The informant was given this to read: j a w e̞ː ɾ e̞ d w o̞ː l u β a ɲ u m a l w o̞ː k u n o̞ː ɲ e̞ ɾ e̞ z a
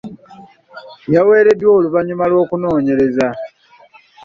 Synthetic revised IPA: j a w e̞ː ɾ e̞ d w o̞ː l u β a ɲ u m a l w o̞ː k u n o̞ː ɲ e̞ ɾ e̞ z a